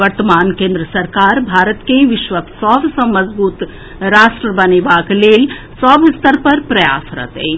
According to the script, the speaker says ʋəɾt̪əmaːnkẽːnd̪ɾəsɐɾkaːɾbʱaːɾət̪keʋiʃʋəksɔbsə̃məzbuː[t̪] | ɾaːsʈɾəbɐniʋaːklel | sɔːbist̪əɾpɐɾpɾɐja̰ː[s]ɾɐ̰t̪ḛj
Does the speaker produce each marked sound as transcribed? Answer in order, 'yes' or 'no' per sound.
yes, yes

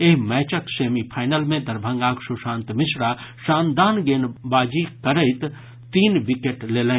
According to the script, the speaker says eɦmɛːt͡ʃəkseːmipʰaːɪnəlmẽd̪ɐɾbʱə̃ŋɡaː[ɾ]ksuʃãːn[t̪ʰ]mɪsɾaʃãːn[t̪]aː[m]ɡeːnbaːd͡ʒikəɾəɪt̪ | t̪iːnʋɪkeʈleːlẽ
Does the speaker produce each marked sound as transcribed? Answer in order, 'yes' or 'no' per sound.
no, no, no, no

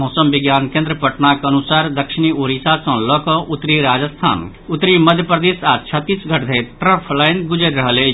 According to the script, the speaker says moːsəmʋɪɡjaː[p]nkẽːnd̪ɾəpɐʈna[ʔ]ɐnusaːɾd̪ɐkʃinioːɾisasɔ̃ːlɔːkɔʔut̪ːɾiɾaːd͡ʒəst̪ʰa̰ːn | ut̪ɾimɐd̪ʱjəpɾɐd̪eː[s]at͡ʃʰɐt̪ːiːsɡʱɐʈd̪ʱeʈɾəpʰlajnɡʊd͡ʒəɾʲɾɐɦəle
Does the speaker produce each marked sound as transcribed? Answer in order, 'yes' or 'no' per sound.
no, no, yes

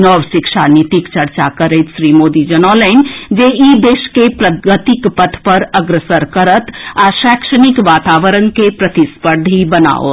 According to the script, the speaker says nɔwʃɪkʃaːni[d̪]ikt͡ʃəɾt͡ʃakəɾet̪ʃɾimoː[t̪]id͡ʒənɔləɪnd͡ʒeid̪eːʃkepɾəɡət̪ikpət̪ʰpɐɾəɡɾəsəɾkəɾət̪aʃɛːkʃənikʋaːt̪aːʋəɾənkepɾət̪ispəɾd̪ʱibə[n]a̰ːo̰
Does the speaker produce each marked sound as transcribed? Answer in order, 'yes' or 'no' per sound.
no, no, yes

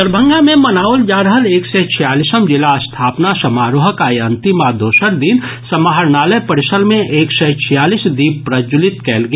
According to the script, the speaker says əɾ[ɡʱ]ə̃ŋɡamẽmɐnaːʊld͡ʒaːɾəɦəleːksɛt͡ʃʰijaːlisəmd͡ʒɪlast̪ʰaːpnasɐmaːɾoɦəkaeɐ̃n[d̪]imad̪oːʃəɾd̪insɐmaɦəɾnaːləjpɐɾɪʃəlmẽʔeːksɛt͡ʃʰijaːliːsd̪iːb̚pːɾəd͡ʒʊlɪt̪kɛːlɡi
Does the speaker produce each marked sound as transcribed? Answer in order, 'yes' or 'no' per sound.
no, no

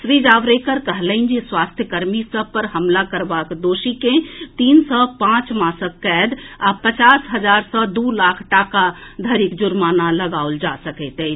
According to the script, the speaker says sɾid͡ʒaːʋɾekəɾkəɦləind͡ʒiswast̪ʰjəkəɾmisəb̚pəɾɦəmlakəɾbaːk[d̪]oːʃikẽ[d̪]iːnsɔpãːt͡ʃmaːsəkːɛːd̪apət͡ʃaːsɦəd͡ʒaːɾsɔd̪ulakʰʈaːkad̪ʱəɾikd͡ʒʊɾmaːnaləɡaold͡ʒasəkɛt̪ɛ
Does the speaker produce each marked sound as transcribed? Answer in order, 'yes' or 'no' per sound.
yes, no

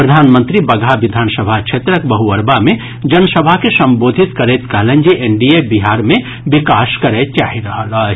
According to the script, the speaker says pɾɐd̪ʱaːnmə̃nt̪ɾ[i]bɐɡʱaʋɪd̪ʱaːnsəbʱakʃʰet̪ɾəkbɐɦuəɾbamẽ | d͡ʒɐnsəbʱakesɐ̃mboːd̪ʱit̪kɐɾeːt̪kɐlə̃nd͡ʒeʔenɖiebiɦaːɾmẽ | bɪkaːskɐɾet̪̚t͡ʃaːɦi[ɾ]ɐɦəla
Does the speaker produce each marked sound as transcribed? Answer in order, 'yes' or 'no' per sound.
yes, yes

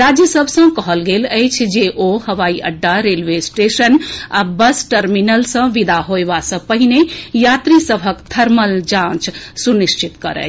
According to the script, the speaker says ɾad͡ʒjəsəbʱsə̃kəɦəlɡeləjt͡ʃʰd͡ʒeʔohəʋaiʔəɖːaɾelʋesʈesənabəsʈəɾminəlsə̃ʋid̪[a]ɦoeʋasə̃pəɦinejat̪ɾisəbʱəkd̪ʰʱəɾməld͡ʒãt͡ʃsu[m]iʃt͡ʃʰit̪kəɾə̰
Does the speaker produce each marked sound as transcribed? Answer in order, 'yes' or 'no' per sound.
yes, no

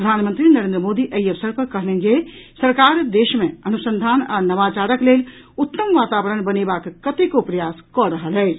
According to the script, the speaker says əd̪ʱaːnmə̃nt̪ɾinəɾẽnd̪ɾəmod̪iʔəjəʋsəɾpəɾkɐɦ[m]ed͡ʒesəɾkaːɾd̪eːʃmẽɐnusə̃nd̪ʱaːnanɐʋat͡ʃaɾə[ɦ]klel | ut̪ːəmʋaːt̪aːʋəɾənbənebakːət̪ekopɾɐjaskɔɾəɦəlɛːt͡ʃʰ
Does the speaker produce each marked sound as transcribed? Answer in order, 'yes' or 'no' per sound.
no, no

